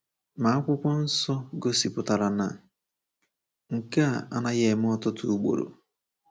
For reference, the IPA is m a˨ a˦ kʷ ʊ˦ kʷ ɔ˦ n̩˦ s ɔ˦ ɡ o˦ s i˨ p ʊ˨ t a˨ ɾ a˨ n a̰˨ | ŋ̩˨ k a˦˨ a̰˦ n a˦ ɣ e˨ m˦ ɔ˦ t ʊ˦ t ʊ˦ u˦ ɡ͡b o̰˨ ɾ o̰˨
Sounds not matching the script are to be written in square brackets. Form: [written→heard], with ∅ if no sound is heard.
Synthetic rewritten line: m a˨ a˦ kʷ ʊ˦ kʷ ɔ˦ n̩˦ s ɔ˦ ɡ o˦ s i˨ p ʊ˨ t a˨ ɾ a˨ n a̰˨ | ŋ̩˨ k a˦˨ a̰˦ n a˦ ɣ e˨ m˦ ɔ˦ t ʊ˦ t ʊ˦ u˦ ɡ͡b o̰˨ ɾ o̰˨